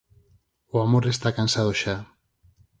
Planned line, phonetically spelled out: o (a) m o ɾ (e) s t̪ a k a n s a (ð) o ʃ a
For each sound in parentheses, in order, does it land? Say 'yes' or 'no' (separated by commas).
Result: yes, yes, yes